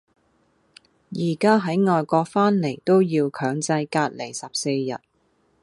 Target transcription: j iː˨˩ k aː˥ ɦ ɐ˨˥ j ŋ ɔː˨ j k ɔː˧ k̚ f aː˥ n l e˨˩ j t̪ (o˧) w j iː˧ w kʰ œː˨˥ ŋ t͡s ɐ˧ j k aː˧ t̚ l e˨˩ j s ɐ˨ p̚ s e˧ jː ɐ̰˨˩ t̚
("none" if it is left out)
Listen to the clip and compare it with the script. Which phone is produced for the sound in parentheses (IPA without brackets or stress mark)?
o˥